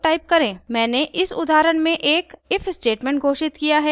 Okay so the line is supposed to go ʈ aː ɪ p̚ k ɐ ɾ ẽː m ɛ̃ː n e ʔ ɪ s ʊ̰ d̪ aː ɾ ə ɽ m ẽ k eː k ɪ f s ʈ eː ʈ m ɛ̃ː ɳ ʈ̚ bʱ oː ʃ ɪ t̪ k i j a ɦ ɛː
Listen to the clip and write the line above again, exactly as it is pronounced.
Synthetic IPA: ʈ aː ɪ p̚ k ɐ ɾ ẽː m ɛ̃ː n e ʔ ɪ s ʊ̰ d̪ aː ɾ ə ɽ m ẽ ʔ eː k ɪ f s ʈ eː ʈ m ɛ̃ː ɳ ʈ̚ ɡʱ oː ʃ ɪ t̪ k i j a ɦ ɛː